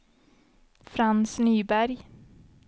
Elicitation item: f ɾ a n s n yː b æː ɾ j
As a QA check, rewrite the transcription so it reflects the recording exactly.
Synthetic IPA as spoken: f ɾ a n s n yː b æ ɾ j